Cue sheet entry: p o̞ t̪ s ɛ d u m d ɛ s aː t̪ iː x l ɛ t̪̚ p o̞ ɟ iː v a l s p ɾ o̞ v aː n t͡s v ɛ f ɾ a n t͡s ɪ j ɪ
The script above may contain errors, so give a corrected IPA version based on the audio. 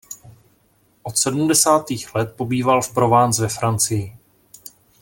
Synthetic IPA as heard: ʔ o̞ t̪ s ɛ d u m d ɛ s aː t̪ iː x l ɛ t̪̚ p o̞ b iː v a l f p ɾ o̞ v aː n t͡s v ɛ f ɾ a n t͡s ɪ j ɪ

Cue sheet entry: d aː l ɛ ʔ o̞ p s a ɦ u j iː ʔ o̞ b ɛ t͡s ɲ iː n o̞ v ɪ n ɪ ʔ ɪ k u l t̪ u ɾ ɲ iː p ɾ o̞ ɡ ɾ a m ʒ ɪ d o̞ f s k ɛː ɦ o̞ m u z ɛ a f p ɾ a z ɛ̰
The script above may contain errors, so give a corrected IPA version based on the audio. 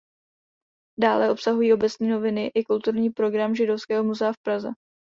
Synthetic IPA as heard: d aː l ɛ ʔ o̞ p s a ɦ u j iː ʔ o̞ b ɛ t͡s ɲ iː n o̞ v ɪ n ɪ ʔ ɪ k u l t̪ u ɾ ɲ iː p ɾ o̞ ɡ ɾ a m ʒ ɪ d o̞ f s k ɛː ɦ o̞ m u z ɛ a f p ɾ a z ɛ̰

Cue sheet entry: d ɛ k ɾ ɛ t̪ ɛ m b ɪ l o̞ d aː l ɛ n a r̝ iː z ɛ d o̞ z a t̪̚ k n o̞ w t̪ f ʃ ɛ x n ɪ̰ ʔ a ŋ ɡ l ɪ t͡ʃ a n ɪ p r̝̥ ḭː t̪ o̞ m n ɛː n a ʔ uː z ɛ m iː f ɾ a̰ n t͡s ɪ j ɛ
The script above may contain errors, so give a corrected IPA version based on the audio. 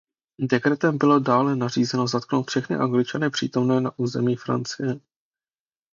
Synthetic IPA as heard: d ɛ k ɾ ɛ t̪ ɛ m b ɪ l o̞ d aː l ɛ n a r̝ iː z ɛ n o̞ z a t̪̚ k n o̞ w t̪ f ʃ ɛ x n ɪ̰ ʔ a ŋ ɡ l ɪ t͡ʃ a n ɪ p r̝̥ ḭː t̪ o̞ m n ɛː n a ʔ uː z ɛ m iː f ɾ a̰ n t͡s ɪ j ɛ

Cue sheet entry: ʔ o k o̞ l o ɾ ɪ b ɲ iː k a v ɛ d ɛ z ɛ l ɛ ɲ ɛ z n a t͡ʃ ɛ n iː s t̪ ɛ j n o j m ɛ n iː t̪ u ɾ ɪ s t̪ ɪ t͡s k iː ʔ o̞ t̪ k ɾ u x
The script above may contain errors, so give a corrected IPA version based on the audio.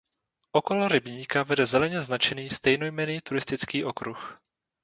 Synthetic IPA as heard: ʔ o k o̞ l o ɾ ɪ b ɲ iː k a v ɛ d ɛ z ɛ l ɛ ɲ ɛ z n a t͡ʃ ɛ n iː s t̪ ɛ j n o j m ɛ n iː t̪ u ɾ ɪ s t̪ ɪ t͡s k iː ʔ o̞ k ɾ u x

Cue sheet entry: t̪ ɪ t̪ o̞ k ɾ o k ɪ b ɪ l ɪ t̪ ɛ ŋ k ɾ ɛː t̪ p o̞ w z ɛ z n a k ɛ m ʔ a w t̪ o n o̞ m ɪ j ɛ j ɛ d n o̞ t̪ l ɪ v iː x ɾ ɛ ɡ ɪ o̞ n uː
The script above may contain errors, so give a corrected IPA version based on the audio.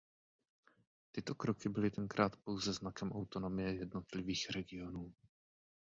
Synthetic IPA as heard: t̪ ɪ t̪ o̞ k ɾ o k ɪ b ɪ l ɪ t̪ ɛ ŋ k ɾ aː t̪ p o̞ w z ɛ z n a k ɛ m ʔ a w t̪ o n o̞ m ɪ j ɛ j ɛ d n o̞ t̪ l ɪ v iː x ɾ ɛ ɡ ɪ o̞ n uː

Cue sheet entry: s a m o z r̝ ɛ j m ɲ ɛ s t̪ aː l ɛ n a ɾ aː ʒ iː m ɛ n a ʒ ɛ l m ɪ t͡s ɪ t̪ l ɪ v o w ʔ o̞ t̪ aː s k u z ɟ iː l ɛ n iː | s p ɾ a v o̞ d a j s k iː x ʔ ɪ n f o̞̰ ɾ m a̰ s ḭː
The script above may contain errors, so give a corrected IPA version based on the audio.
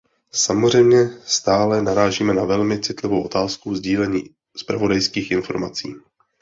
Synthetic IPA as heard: s a m o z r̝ ɛ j m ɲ ɛ s t̪ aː l ɛ n a ɾ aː ʒ iː m ɛ n a v ɛ l m ɪ t͡s ɪ t̪ l ɪ v o w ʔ o̞ t̪ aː s k u z ɟ iː l ɛ ɲ iː | s p ɾ a v o̞ d a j s k iː x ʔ ɪ n f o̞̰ ɾ m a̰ t͡s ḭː

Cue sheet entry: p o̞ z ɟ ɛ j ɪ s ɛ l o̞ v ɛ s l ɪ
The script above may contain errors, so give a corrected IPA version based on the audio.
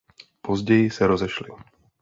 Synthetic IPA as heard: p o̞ z ɟ ɛ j ɪ s ɛ ɾ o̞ z ɛ ʃ l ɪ

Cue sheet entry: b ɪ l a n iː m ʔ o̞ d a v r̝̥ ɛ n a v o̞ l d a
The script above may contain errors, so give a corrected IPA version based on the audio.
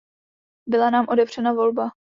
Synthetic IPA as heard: b ɪ l a n aː m ʔ o̞ d ɛ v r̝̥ ɛ n a v o̞ l b a

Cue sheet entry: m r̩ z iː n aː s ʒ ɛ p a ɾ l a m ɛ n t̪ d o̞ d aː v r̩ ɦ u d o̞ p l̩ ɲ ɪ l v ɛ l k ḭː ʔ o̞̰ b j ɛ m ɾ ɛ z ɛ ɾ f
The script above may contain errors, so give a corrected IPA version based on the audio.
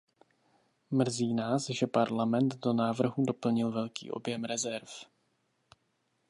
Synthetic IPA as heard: m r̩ z iː n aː s ʒ ɛ p a ɾ l a m ɛ n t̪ d o̞ n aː v r̩ ɦ u d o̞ p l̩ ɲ ɪ l v ɛ l k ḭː ʔ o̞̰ b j ɛ m ɾ ɛ z ɛ ɾ f

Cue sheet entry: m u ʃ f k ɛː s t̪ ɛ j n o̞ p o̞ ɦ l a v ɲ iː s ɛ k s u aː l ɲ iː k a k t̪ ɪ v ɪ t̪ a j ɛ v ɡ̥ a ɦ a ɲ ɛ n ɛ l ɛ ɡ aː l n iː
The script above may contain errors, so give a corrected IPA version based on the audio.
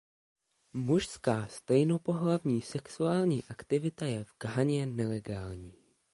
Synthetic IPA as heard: m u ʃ s k aː s t̪ ɛ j n o̞ p o̞ ɦ l a v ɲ iː s ɛ k s u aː l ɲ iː ʔ a k t̪ ɪ v ɪ t̪ a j ɛ v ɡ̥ a ɦ a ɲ ɛ n ɛ l ɛ ɡ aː l ɲ iː

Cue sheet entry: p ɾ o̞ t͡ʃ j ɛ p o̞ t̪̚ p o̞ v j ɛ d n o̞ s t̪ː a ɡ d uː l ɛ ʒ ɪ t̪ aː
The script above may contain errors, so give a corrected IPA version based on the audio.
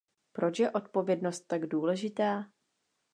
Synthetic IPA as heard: p ɾ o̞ t͡ʃ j ɛ ʔ o̞ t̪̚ p o̞ v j ɛ d n o̞ s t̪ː a ɡ d uː l ɛ ʒ ɪ t̪ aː

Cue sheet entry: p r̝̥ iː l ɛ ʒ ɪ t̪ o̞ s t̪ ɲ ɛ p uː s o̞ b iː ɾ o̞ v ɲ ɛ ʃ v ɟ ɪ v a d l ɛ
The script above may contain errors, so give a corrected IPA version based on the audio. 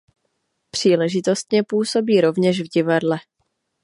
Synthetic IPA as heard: p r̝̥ iː l ɛ ʒ ɪ t̪ o̞ s t̪ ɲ ɛ p uː s o̞ b iː ɾ o̞ v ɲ ɛ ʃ v ɟ ɪ v a d l ɛ

